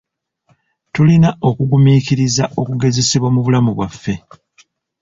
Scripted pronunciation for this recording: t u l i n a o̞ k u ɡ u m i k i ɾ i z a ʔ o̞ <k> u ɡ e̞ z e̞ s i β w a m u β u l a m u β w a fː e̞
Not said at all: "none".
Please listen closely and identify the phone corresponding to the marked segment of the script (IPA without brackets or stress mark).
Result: k